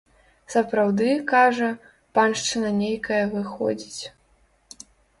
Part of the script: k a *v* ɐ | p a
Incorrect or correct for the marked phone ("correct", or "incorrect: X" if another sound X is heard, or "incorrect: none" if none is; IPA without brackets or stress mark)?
incorrect: ʐ